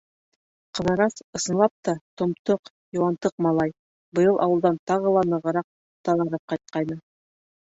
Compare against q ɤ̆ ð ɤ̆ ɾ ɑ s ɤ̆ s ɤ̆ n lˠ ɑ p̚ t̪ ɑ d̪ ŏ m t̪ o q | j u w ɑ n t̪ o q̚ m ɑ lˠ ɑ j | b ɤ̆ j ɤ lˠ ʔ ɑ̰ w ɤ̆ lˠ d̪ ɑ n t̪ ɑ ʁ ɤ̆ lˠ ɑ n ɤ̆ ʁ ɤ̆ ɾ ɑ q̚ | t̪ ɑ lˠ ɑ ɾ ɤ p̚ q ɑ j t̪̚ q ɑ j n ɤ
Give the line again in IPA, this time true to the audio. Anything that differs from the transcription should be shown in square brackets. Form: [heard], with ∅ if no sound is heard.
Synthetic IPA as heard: q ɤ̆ ð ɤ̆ ɾ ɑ s ɤ̆ s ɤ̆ n lˠ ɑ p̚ t̪ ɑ [t̪] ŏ m t̪ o q | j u w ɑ n t̪ [ɤ] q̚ m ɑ lˠ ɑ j | b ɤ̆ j ɤ lˠ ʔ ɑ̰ w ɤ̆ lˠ d̪ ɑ n t̪ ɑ ʁ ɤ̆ lˠ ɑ n ɤ̆ ʁ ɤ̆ ɾ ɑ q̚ | t̪ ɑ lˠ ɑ ɾ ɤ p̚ q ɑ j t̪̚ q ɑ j n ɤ